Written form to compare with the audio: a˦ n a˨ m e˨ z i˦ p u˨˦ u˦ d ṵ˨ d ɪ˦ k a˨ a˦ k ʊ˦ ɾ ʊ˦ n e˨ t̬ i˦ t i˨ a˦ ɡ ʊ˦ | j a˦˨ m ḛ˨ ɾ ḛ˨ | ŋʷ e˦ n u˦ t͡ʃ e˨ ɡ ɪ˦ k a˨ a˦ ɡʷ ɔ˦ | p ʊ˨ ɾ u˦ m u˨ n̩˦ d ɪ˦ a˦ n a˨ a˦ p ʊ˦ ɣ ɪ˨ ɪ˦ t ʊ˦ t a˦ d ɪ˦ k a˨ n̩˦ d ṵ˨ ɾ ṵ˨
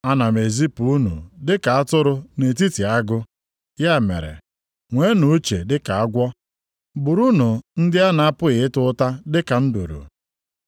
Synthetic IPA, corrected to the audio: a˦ n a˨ m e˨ z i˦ p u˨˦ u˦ n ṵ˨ d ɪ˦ k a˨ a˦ t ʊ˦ ɾ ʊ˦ n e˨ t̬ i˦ t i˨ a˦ ɡ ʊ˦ | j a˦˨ m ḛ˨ ɾ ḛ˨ | ŋʷ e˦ n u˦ t͡ʃ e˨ d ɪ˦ k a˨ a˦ ɡʷ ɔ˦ | b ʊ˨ ɾ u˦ n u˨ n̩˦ d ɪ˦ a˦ n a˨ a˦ p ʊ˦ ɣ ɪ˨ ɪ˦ t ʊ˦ t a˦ d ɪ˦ k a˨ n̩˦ d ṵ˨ ɾ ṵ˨